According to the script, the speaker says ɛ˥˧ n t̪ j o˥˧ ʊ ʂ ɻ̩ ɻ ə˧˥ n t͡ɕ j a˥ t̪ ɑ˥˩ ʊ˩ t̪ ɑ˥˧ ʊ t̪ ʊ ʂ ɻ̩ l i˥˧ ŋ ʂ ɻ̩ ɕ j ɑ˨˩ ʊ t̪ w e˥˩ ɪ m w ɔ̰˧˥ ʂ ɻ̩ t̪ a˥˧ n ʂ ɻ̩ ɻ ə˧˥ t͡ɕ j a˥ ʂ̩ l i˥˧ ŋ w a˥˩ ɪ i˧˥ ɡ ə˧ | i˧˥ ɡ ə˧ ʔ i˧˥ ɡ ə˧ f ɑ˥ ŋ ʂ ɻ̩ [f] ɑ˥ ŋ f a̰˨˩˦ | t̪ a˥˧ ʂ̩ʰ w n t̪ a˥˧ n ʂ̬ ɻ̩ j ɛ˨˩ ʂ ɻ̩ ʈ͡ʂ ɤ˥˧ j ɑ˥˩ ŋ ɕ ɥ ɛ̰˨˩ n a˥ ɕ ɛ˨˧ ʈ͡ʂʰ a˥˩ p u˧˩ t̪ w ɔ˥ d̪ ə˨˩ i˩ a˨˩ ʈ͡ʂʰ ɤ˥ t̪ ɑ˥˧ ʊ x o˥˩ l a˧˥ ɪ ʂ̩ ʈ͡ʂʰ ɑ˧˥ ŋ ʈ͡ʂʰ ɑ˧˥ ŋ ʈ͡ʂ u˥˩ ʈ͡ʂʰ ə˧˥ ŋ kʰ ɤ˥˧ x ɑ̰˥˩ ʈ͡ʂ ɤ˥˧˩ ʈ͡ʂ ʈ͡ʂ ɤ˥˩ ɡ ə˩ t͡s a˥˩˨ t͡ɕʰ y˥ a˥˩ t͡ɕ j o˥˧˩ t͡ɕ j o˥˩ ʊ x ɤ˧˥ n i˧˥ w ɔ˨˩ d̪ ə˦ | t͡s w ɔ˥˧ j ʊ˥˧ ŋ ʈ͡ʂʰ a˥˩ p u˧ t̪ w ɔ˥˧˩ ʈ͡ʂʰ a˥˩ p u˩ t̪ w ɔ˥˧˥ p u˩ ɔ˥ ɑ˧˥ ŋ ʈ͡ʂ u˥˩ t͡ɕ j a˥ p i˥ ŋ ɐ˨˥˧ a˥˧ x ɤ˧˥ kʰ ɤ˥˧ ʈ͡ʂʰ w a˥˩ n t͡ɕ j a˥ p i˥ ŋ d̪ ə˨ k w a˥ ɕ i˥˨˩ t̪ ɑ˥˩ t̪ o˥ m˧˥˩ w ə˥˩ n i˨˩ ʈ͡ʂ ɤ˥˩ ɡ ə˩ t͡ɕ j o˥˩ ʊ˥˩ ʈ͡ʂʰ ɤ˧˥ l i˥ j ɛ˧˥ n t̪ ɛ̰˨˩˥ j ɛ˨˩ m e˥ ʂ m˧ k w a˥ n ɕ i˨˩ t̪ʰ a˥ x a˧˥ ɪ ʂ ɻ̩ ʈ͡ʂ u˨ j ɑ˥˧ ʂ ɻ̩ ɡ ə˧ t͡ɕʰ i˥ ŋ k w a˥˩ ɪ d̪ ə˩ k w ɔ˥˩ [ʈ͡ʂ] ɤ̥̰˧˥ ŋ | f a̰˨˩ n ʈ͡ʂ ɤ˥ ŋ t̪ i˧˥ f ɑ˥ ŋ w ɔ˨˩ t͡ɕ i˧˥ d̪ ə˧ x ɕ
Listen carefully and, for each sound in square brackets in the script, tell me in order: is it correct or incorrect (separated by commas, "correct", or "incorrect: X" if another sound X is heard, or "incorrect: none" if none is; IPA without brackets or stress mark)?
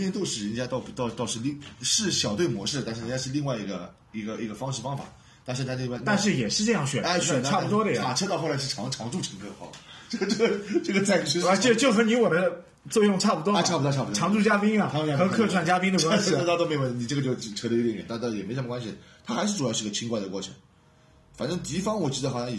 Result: correct, incorrect: ʈ͡ʂʰ